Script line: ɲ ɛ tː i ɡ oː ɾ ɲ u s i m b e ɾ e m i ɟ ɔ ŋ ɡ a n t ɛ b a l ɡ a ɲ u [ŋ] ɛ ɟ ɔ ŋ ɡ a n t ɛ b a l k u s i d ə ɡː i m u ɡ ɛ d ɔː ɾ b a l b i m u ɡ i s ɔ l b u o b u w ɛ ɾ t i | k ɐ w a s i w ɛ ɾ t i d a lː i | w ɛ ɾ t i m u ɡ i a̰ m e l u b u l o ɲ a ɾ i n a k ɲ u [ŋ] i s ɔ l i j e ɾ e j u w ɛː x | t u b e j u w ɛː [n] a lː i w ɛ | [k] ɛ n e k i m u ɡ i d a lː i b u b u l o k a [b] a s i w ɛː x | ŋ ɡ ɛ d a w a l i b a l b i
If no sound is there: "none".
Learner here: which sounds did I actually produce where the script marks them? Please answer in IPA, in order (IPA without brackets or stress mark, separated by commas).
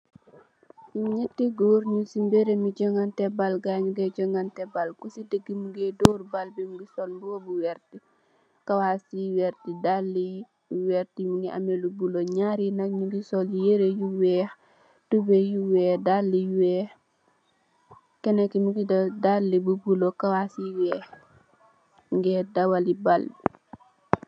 ɡ, ɡ, d, k, w